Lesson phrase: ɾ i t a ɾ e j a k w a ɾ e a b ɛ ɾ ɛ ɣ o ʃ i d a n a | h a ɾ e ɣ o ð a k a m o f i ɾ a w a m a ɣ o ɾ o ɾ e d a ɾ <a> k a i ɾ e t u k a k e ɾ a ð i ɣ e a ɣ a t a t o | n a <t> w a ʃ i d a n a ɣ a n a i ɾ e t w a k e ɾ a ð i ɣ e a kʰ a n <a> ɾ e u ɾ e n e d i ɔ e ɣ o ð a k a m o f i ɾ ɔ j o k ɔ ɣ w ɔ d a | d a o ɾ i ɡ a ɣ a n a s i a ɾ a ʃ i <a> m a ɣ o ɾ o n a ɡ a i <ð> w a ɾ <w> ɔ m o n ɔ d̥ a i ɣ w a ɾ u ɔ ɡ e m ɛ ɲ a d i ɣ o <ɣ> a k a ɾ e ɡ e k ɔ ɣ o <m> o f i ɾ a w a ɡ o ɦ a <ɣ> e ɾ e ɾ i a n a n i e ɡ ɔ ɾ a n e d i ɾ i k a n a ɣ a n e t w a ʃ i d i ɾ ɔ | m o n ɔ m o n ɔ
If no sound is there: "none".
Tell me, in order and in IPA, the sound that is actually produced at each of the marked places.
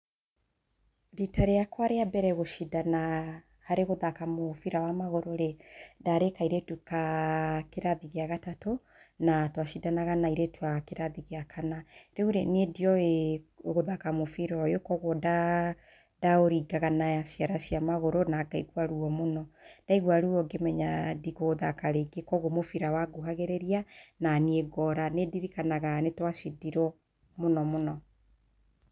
e, t, a, a, ɣ, u, ð, m, ɣ

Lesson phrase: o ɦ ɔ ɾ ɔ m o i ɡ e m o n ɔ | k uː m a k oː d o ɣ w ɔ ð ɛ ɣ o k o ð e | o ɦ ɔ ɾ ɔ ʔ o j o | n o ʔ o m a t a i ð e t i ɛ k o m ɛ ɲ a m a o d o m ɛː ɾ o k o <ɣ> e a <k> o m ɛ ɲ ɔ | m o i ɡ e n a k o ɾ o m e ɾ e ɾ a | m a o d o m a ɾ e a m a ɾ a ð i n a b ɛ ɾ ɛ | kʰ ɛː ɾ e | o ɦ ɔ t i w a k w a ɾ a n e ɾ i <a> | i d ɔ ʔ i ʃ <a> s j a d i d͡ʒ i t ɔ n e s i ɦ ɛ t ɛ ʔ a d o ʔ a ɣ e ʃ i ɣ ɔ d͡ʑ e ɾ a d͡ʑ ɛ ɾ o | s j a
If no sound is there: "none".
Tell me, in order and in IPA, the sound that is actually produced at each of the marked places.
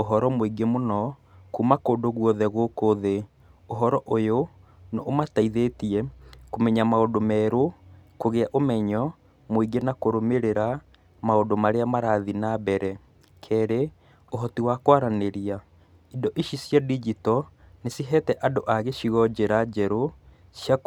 ɣ, ʔ, a, i

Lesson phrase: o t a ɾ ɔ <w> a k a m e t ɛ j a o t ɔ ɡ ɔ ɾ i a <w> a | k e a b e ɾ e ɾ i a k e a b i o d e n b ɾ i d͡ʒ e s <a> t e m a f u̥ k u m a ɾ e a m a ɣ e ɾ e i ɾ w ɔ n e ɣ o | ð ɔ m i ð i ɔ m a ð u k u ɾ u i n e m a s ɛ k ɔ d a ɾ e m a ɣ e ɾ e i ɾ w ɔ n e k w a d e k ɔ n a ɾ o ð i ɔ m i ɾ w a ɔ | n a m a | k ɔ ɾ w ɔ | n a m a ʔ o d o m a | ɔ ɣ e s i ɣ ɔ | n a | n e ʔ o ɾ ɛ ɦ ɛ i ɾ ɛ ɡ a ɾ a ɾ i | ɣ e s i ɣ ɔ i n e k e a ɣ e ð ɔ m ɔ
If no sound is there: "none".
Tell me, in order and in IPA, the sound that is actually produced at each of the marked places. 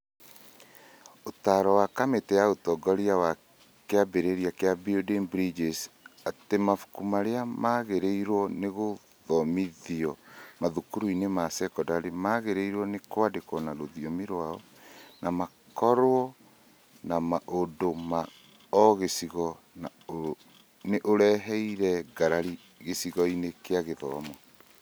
w, w, a

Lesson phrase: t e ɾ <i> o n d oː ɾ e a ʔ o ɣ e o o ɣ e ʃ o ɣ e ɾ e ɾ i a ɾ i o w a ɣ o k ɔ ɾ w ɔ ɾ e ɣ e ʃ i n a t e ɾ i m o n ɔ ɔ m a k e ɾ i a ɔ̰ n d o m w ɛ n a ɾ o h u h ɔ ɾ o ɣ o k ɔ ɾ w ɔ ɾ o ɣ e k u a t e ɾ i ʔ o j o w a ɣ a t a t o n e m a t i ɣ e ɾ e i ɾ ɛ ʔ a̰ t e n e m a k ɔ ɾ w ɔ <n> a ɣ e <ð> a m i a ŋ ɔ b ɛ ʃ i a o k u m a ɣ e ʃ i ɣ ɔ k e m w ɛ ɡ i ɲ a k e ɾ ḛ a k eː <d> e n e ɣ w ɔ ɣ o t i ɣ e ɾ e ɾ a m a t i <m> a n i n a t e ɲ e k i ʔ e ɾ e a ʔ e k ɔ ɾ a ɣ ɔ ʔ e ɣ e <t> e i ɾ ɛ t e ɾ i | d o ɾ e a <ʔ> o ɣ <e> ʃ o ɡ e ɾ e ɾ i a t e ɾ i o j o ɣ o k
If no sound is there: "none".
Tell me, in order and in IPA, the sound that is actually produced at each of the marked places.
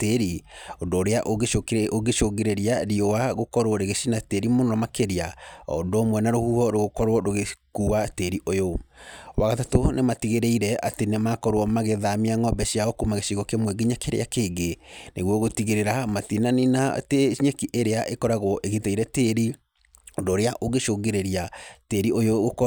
i, m, ð, ɡ, n, t, ʔ, e

